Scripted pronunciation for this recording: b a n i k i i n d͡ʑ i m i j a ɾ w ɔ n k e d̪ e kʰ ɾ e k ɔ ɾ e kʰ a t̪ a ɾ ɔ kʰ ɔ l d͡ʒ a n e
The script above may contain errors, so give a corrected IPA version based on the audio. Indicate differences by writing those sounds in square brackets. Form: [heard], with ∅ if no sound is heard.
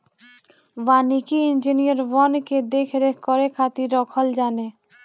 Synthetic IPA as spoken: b a n i k i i n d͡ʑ i [n] i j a ɾ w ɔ n k e d̪ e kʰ ɾ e k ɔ ɾ e kʰ a t̪ [i] ɾ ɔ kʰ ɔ l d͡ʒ a n e